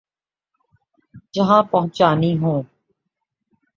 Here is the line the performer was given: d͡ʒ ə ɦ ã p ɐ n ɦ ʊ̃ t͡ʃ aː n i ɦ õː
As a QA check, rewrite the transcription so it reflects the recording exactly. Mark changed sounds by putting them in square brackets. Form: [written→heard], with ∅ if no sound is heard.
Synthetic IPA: d͡ʒ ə ɦ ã p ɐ [n→∅] ɦ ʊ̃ t͡ʃ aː n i ɦ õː

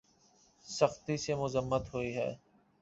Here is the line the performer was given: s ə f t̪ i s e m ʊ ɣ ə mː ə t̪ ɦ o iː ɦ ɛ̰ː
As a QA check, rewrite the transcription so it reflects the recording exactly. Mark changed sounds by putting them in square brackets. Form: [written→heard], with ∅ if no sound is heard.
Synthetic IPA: s ə [f→x] t̪ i s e m ʊ [ɣ→z] ə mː ə t̪ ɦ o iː ɦ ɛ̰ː

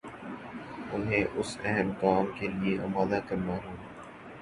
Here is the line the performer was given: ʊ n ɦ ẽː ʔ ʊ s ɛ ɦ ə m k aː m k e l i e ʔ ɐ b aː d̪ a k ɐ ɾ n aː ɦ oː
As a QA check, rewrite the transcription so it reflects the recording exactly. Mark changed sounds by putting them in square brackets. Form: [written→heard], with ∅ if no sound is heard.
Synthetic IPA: ʊ n ɦ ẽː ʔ ʊ s ɛ ɦ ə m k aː m k e l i e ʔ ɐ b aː d̪ a k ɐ ɾ n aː ɦ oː

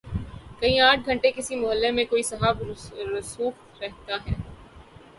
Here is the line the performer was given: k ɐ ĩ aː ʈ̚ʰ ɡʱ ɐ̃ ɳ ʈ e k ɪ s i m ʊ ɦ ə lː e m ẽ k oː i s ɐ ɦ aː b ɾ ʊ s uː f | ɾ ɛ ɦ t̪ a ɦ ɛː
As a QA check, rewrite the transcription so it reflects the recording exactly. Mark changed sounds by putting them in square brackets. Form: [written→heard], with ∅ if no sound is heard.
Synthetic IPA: k ɐ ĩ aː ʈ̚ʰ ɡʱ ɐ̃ ɳ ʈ e k ɪ s i m ʊ ɦ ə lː e m ẽ k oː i s ɐ ɦ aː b ɾ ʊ s uː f | ɾ ɛ ɦ t̪ a ɦ ɛː

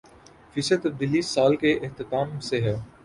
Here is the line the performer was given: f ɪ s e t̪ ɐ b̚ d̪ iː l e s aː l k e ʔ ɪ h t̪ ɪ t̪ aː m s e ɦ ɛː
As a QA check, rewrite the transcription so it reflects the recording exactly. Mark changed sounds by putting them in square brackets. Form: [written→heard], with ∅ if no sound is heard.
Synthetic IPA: f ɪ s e t̪ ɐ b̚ d̪ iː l [e→i] s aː l k e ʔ ɪ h t̪ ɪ t̪ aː m s e ɦ ɛː

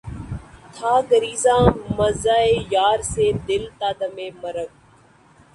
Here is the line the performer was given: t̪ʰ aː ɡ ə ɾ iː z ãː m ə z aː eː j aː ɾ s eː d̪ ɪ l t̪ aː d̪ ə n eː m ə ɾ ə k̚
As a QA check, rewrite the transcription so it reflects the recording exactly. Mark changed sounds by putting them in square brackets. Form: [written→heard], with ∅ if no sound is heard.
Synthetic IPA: t̪ʰ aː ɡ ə ɾ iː z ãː m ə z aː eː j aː ɾ s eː d̪ ɪ l t̪ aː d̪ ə [n→m] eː m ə ɾ ə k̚

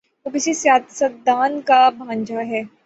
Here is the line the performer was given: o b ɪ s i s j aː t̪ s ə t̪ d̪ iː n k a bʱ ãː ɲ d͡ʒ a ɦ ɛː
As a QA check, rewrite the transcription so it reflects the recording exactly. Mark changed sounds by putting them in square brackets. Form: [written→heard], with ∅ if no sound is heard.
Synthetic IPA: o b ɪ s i s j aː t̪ s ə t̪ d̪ [iː→aː] n k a bʱ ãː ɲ d͡ʒ a ɦ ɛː

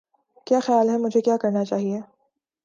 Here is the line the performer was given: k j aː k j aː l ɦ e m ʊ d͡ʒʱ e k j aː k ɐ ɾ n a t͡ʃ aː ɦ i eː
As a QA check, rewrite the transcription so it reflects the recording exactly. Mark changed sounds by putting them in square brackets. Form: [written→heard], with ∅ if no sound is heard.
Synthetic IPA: k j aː [k→x] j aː l ɦ [e→ɛ] m ʊ d͡ʒʱ e k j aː k ɐ ɾ n a t͡ʃ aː ɦ i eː

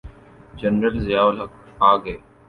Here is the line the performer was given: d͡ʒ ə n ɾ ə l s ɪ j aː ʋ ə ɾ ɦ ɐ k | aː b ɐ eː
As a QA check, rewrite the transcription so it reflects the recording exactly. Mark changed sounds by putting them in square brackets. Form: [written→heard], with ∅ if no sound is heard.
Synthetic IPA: d͡ʒ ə n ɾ ə l [s→z] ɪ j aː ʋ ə [ɾ→l] ɦ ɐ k | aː [b→ɡ] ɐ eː

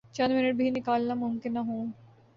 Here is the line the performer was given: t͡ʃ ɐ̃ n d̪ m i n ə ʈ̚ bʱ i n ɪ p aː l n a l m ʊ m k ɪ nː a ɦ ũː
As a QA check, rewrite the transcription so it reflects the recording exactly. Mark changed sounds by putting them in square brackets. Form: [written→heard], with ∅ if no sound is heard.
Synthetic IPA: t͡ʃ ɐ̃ n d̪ m [i→ɪ] n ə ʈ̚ bʱ i n ɪ [p→k] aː l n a [l→∅] m ʊ m k ɪ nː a ɦ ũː

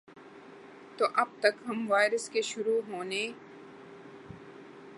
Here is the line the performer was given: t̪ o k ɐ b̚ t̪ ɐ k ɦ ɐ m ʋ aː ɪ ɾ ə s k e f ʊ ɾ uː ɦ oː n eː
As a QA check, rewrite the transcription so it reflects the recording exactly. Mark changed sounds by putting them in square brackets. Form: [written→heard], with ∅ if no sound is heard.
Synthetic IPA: t̪ o [k→ʔ] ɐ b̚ t̪ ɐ k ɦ ɐ m ʋ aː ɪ ɾ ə s k e [f→ʃ] ʊ ɾ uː ɦ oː n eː

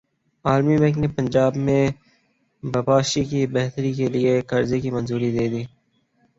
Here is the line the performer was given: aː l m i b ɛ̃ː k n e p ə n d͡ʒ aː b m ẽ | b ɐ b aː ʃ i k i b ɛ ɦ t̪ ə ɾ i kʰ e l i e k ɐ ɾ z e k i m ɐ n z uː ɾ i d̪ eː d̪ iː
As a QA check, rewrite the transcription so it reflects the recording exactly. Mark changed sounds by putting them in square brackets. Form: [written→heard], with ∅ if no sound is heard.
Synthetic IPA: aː l m i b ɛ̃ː k n e p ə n d͡ʒ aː b m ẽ | b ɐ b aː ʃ i k i b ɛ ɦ t̪ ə ɾ i [kʰ→k] e l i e k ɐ ɾ z e k i m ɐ n z uː ɾ i d̪ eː d̪ iː

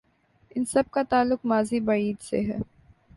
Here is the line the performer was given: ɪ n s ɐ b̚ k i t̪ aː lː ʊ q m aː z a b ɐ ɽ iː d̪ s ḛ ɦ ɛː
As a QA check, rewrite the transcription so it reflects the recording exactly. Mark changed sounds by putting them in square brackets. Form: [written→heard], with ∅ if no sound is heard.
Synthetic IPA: ɪ n s ɐ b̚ k [i→a] t̪ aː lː ʊ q m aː z [a→i] b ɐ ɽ iː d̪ s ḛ ɦ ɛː

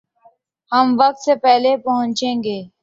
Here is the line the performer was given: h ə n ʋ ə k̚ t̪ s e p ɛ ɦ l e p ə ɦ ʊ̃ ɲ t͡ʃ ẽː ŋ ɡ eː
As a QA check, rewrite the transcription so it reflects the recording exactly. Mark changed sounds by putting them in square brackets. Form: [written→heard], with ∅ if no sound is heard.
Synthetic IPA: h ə [n→m] ʋ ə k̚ t̪ s e p ɛ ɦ l e p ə ɦ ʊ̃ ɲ t͡ʃ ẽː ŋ ɡ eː

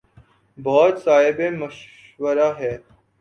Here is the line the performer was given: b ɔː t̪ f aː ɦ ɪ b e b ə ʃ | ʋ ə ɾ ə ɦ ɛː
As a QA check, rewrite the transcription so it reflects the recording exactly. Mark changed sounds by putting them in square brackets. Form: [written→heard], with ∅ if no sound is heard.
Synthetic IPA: b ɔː t̪ [f→s] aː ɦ ɪ b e [b→m] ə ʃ | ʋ ə ɾ [ə→a] ɦ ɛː

